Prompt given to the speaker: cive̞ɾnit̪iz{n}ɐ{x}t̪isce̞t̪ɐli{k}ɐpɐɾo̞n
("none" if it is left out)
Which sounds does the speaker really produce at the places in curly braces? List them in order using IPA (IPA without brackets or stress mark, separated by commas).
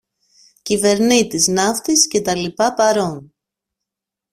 n, f, p